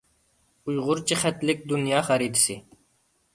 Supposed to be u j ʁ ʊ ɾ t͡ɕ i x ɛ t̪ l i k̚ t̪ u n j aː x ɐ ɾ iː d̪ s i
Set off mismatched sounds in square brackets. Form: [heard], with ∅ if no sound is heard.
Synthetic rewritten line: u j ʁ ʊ ɾ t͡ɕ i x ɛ t̪ l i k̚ [d̪] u n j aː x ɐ ɾ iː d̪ s i